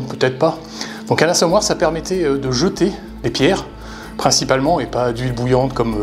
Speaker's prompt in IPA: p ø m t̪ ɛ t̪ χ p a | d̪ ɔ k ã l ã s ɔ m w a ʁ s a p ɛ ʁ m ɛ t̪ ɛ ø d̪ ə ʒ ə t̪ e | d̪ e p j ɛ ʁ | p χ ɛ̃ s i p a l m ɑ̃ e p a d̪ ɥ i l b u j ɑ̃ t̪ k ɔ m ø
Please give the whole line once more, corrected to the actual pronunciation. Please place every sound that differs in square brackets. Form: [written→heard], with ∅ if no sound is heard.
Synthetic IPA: p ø [m→∅] t̪ ɛ t̪ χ p a | d̪ [ɔ→ɔ̃] k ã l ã s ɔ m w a ʁ s a p ɛ ʁ m ɛ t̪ ɛ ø d̪ ə ʒ ə t̪ e | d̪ e p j ɛ ʁ | p χ ɛ̃ s i p a l m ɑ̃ e p a d̪ ɥ i l b u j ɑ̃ t̪ k ɔ m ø